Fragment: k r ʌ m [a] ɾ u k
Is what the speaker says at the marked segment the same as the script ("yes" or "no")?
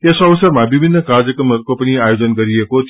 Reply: no